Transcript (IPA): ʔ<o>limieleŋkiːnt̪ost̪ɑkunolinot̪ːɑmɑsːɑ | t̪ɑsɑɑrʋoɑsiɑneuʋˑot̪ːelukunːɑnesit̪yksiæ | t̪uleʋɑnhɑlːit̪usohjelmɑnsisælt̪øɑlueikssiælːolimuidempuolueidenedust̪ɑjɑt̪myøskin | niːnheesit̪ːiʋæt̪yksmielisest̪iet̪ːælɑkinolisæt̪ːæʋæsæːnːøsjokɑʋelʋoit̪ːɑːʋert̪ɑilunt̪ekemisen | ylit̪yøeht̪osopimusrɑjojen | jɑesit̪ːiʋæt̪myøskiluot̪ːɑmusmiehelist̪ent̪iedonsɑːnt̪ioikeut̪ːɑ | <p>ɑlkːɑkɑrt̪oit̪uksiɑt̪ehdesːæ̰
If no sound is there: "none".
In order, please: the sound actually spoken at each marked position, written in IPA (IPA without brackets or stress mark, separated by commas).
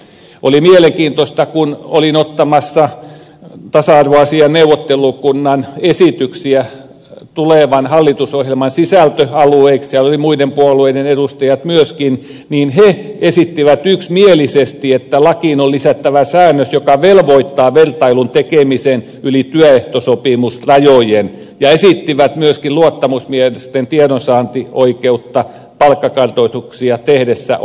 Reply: o, p